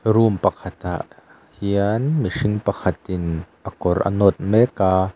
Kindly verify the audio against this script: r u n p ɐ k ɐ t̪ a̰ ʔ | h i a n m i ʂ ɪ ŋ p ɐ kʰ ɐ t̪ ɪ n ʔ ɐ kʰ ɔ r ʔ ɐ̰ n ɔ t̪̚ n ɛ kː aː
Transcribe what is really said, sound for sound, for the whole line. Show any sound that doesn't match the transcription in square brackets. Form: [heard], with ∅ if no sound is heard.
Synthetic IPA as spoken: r u [m] p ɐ [kʰ] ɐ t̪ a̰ ʔ | h i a n m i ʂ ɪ ŋ p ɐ kʰ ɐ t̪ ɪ n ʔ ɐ [k] ɔ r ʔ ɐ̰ n ɔ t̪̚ [m] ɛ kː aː